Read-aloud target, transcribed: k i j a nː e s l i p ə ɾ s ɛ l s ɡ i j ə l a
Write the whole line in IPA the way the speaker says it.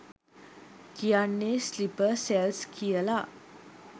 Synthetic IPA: k i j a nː e s l i p ə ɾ s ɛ l s k i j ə l a